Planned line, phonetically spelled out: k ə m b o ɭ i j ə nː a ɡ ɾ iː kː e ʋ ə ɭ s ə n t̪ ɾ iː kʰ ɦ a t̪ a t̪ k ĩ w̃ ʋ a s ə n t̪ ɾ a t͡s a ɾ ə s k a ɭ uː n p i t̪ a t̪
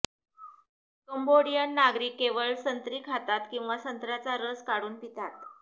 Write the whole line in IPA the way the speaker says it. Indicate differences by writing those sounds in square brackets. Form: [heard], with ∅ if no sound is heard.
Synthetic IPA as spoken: k ə m b o [ɽ] i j ə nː a ɡ ɾ iː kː e ʋ ə ɭ s ə n t̪ ɾ iː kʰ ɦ a t̪ a t̪ k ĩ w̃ ʋ a s ə n t̪ ɾ a t͡s a ɾ ə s k a [ɽ] uː n p i t̪ a t̪